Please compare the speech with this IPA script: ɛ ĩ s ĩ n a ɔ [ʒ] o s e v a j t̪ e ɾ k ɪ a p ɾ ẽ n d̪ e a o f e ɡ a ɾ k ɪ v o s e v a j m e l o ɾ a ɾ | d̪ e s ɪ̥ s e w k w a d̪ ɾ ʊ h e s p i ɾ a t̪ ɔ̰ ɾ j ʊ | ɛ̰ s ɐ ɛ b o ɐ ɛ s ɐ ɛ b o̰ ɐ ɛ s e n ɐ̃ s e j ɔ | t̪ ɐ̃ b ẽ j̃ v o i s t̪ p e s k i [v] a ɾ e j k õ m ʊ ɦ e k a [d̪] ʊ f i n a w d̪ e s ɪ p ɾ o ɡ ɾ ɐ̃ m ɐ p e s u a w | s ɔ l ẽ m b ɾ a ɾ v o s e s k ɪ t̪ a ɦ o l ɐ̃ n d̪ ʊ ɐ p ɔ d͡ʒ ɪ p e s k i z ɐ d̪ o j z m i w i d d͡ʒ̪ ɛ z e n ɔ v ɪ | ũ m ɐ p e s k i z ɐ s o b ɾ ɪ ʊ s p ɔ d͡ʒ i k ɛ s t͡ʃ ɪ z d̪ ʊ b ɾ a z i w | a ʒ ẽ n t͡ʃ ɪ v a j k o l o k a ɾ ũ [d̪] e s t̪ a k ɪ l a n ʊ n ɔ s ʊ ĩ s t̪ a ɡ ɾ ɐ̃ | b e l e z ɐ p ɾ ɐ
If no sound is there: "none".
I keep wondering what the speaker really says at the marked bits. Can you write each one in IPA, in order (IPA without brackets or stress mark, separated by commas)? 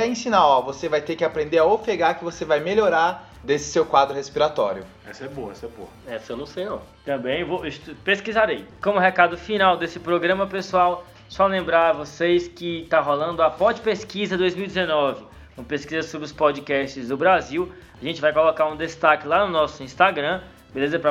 v, z, d̪, d̪